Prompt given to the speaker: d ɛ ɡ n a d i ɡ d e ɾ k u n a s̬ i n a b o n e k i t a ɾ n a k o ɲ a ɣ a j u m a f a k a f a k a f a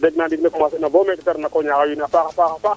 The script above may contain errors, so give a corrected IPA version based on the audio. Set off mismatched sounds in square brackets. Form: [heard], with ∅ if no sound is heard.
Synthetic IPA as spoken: d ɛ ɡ n a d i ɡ [n] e [∅] k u [m] a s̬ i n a b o [m] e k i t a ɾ n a k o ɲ a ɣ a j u [n] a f a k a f a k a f a